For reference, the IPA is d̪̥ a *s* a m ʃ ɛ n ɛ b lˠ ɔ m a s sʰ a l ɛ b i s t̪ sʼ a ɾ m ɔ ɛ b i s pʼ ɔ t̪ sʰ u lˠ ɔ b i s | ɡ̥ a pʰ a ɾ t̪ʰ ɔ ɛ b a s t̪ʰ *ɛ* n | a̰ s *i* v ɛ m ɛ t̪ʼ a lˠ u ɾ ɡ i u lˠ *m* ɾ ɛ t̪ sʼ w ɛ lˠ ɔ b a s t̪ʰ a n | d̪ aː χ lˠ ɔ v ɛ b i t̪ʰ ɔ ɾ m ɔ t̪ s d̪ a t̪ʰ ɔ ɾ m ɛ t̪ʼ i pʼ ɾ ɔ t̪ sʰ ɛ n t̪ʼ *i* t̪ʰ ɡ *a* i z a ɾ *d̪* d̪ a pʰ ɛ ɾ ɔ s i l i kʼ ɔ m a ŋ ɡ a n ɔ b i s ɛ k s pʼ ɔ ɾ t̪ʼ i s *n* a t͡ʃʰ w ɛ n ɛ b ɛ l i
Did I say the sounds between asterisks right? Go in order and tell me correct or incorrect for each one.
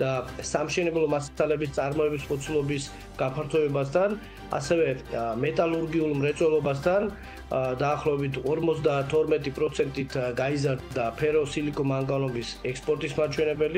correct, incorrect: a, incorrect: ɛ, correct, correct, correct, correct, incorrect: m

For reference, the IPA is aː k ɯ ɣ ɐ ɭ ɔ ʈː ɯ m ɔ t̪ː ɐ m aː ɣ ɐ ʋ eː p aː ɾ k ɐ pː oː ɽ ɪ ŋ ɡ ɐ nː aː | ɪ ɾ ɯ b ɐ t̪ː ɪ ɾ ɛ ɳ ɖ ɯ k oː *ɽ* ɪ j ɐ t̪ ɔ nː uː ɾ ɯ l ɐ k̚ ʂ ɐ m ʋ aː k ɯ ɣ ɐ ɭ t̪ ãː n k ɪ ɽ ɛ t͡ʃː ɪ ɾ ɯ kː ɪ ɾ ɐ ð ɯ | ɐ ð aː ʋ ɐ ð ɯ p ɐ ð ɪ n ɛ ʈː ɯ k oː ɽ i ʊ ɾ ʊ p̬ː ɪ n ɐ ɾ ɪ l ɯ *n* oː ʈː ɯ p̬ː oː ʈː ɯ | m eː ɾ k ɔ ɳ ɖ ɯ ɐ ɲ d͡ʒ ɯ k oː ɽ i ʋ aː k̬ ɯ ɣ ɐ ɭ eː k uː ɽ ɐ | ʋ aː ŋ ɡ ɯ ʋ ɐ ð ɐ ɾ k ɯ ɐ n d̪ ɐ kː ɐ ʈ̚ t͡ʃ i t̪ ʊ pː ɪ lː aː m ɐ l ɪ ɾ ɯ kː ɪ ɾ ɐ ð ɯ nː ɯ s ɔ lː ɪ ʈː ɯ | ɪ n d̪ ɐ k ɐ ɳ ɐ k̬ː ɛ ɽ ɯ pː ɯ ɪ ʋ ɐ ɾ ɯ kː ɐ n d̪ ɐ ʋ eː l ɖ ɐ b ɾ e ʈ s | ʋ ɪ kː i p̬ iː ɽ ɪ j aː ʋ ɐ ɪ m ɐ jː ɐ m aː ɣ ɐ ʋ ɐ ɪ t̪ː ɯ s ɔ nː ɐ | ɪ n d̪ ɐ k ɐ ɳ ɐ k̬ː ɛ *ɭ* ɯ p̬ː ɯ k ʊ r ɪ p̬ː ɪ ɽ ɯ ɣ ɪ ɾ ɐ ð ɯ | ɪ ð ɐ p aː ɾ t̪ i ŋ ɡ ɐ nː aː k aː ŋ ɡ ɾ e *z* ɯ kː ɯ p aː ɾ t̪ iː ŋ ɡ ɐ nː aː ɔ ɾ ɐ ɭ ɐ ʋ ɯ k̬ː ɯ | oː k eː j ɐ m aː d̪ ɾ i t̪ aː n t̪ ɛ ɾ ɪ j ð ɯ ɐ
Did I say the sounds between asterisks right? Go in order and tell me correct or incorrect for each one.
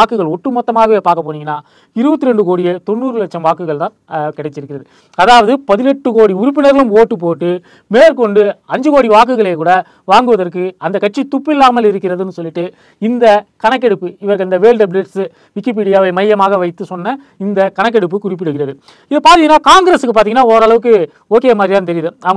correct, incorrect: m, incorrect: ɽ, incorrect: s

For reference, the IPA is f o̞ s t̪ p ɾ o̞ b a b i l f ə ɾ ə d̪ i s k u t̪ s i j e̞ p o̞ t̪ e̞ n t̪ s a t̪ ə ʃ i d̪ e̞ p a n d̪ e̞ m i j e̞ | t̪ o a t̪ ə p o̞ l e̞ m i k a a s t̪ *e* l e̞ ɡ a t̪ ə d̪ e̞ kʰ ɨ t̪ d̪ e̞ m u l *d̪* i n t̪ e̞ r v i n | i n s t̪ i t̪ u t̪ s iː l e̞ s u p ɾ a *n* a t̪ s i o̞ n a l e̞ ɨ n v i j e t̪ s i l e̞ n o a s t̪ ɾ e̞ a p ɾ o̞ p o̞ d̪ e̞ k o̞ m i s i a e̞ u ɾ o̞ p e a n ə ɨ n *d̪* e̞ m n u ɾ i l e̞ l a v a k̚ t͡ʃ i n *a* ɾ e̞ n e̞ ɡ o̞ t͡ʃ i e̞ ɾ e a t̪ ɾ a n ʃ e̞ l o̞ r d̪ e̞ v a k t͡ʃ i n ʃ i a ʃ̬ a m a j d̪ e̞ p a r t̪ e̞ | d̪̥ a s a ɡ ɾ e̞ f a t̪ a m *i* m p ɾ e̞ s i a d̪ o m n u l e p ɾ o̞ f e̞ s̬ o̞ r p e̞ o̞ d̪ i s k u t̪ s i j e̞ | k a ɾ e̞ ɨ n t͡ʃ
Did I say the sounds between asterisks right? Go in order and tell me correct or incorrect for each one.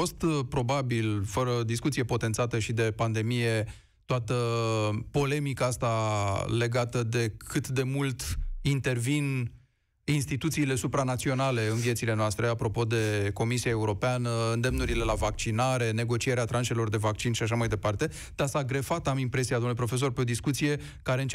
incorrect: a, incorrect: t̪, correct, correct, correct, correct

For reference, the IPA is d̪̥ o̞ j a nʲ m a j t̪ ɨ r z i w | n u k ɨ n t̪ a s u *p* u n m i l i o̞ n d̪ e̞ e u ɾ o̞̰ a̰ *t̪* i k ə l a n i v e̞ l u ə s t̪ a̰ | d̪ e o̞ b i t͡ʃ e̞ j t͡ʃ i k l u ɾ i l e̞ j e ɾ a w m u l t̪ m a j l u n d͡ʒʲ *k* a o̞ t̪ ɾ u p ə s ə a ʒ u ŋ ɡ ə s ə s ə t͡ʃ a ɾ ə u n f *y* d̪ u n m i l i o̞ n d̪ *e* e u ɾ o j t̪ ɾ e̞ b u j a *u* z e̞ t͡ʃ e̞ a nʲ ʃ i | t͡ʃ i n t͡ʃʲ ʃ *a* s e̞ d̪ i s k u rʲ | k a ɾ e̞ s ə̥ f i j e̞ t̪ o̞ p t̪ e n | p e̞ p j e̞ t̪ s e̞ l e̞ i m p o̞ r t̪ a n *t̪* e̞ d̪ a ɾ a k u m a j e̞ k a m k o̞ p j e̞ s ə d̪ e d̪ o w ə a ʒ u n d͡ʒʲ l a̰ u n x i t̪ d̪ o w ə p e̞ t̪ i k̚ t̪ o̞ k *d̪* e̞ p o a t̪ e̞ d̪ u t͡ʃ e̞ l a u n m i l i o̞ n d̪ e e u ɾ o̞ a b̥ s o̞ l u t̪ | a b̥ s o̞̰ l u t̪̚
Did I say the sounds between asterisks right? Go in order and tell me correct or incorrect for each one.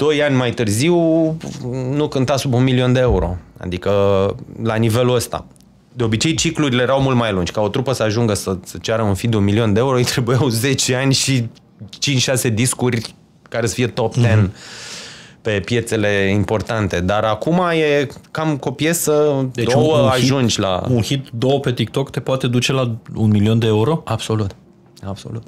incorrect: b, incorrect: d̪, correct, incorrect: i, correct, incorrect: w, correct, correct, incorrect: t̪

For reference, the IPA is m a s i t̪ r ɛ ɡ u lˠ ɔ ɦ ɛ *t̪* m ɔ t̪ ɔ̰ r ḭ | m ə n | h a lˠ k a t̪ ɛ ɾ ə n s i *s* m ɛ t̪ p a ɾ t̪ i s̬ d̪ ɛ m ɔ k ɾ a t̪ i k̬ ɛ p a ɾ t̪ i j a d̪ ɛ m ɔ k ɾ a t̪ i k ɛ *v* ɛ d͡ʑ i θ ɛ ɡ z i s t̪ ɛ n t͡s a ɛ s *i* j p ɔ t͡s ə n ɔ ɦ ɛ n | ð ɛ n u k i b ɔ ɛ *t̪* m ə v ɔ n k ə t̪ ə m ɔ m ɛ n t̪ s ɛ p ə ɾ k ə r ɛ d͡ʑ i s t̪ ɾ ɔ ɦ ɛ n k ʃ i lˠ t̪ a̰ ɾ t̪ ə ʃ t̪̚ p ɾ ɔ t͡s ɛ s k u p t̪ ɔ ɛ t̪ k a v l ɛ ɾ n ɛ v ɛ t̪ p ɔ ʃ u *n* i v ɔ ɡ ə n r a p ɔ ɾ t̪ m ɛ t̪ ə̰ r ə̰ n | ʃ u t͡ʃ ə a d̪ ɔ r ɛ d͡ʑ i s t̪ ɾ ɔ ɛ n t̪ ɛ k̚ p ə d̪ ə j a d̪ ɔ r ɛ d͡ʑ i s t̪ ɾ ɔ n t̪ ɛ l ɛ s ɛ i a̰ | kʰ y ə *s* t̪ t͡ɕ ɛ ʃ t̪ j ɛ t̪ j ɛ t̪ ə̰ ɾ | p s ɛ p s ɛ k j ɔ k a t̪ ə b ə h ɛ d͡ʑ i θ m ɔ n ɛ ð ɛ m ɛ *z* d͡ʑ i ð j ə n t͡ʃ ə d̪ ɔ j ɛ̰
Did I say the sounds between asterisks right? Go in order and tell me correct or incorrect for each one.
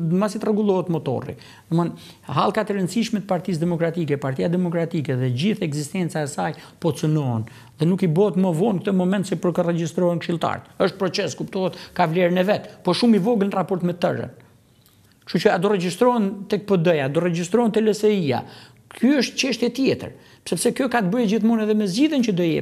correct, incorrect: ʃ, incorrect: ð, incorrect: a, correct, incorrect: m, incorrect: ʃ, correct

